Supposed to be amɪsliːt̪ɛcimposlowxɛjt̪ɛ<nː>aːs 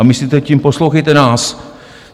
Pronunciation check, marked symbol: incorrect: n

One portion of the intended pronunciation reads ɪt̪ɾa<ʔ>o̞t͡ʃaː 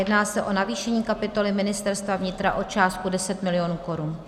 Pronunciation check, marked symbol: correct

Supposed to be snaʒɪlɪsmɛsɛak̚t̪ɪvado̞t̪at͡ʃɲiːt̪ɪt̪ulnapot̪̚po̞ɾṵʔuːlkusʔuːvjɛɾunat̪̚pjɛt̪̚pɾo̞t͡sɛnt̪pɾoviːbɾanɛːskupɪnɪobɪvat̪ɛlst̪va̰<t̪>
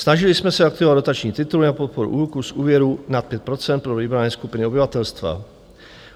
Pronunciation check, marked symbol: incorrect: none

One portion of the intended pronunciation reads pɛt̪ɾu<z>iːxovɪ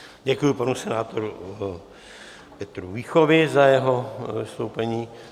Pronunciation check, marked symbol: incorrect: v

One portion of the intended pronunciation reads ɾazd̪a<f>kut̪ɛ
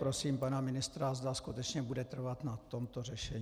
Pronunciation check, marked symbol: incorrect: s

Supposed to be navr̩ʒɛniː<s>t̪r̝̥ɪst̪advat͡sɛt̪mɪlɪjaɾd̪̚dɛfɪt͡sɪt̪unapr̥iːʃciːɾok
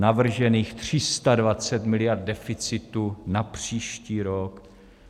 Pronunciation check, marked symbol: incorrect: x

